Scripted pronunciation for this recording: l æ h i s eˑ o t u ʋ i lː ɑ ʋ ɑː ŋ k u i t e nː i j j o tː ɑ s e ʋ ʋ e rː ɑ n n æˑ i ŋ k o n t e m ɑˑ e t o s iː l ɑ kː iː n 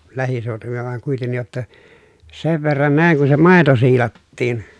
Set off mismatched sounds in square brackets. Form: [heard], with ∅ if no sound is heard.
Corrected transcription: l æ h i s eˑ o t u ʋ i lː ɑ ʋ [ɑ] ŋ k u i t e nː i j j o tː ɑ s e ʋ ʋ e rː ɑ n n æˑ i ŋ k [u] n [s] e m ɑˑ e t o s iː l ɑ [tː] iː n